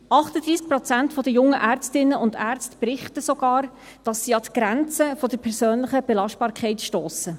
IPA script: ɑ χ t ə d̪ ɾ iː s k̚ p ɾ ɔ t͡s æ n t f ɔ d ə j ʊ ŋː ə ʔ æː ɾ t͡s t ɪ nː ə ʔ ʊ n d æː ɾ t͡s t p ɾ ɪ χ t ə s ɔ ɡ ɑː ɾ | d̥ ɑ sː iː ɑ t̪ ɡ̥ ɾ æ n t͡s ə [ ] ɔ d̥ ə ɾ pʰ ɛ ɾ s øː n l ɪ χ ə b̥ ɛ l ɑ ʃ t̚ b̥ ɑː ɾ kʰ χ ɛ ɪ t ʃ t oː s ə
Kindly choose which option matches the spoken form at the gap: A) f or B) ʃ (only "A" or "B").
A